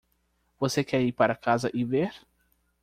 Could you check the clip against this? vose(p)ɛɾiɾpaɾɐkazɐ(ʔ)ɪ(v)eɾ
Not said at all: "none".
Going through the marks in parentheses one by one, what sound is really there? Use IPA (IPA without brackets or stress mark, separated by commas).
k, ʔ, v